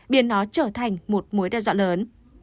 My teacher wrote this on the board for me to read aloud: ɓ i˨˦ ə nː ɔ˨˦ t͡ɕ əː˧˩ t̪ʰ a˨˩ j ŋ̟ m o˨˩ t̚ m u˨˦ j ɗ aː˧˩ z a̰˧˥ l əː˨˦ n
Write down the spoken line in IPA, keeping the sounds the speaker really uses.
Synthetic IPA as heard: ɓ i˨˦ ə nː ɔ˨˦ t͡ɕ əː˧˩ t̪ʰ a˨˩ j ŋ̟ m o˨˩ t̚ m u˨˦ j ɗ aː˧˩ z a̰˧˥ l əː˨˦ n